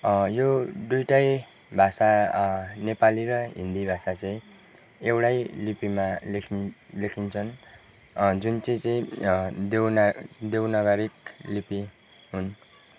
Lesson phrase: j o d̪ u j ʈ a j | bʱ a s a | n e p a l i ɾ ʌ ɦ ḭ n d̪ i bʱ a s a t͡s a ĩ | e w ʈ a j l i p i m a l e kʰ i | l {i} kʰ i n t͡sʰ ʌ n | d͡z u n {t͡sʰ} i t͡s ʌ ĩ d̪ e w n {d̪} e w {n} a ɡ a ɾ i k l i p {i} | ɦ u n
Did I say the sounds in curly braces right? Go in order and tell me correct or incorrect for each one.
incorrect, incorrect, correct, correct, correct

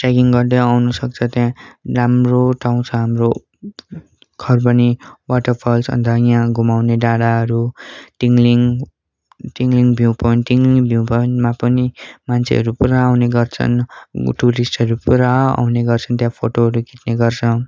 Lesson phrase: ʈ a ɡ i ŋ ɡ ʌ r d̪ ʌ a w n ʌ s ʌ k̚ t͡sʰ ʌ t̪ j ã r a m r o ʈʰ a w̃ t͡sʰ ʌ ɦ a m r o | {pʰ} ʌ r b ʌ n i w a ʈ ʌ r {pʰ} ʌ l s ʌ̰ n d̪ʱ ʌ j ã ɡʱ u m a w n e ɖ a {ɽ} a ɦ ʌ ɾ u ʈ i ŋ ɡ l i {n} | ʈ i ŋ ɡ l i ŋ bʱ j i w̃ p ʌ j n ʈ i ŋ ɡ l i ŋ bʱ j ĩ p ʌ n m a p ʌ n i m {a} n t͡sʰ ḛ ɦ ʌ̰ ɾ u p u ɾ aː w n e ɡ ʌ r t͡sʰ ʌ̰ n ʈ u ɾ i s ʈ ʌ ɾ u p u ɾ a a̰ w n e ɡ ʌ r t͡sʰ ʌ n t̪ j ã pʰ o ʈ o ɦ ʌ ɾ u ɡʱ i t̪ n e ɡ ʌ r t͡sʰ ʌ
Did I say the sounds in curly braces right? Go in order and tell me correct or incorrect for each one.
incorrect, correct, correct, incorrect, correct

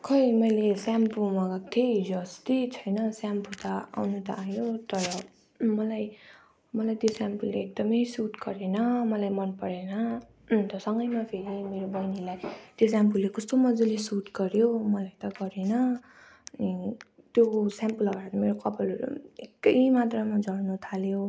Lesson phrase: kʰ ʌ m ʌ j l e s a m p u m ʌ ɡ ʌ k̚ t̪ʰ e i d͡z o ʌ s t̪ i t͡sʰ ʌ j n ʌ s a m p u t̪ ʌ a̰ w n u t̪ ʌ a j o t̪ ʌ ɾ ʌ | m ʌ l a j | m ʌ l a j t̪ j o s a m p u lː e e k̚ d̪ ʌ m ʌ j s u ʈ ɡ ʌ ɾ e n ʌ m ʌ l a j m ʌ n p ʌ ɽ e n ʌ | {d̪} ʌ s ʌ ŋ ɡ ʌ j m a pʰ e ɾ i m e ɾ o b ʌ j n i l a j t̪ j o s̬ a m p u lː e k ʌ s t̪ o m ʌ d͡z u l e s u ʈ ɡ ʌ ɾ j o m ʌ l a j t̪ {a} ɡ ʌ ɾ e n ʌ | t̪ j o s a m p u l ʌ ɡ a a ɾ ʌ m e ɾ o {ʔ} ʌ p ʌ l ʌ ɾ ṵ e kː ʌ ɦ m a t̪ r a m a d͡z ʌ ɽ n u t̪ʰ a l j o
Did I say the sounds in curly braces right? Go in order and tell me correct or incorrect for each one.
incorrect, incorrect, incorrect

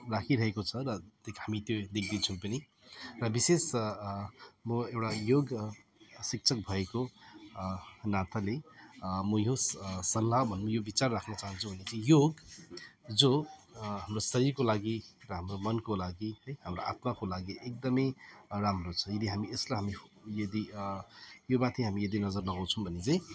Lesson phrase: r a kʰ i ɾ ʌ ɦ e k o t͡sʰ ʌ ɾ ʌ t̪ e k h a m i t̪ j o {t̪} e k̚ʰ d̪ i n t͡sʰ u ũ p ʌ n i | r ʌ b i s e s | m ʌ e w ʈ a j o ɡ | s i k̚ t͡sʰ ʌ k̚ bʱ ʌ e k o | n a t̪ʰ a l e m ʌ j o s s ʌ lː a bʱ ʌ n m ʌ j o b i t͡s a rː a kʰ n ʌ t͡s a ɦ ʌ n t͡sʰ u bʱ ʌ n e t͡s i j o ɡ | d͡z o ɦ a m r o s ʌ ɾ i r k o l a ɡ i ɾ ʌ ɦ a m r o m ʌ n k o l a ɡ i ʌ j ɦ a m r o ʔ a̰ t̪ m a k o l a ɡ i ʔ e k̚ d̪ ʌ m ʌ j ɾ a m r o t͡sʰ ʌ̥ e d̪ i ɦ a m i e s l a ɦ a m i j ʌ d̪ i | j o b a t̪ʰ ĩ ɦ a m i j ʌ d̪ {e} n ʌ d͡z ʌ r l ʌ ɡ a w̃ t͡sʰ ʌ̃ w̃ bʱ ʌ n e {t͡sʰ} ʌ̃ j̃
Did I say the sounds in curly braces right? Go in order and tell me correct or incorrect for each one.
incorrect, incorrect, incorrect

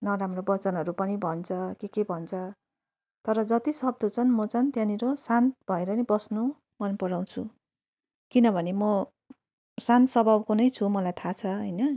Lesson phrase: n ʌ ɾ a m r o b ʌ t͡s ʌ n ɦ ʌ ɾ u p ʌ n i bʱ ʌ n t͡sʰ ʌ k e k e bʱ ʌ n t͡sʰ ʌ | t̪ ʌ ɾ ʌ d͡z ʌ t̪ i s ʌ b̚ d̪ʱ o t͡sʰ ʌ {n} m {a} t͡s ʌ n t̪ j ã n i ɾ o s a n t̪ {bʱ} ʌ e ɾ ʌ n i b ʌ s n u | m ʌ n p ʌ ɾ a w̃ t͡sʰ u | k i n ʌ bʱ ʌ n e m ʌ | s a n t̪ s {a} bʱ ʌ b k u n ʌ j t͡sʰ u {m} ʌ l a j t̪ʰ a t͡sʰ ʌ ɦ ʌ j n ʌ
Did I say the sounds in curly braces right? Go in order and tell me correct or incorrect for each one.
correct, incorrect, correct, incorrect, correct

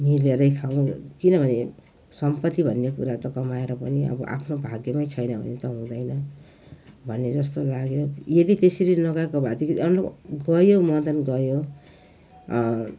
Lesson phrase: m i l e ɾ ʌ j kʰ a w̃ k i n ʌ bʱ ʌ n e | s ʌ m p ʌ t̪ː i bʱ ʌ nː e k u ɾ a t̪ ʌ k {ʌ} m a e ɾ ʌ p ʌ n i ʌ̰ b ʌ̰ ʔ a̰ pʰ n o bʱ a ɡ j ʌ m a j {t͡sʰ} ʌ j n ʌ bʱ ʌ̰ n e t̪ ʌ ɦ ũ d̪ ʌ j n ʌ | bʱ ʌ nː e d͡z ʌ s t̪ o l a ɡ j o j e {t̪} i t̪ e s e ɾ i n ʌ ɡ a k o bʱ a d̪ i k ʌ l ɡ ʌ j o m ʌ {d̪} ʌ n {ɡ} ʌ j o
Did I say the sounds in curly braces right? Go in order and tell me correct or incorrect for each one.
correct, correct, incorrect, correct, correct

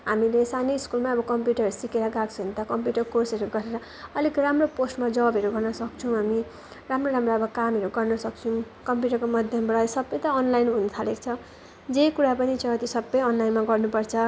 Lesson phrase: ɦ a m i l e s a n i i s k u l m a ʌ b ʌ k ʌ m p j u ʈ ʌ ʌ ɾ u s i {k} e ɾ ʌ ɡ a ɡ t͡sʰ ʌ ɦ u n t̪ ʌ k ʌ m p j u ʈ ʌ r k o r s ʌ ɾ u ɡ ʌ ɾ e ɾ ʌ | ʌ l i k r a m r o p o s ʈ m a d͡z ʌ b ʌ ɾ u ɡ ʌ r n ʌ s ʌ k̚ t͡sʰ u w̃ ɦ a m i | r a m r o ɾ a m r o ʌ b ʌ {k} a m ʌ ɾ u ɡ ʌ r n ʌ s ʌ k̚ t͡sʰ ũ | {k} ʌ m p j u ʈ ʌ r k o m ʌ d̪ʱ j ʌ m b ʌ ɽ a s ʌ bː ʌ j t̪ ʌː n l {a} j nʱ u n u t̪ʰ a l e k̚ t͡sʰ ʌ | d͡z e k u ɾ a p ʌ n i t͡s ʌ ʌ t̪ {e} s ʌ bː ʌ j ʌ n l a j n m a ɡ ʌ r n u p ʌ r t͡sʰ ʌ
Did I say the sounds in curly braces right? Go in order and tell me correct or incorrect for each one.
correct, correct, correct, correct, incorrect

